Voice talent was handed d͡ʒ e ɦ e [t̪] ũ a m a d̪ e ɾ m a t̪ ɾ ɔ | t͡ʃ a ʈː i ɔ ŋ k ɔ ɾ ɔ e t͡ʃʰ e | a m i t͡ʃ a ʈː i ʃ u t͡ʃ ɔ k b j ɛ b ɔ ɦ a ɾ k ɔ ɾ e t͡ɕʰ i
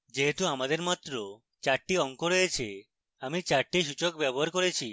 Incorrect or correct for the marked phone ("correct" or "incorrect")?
correct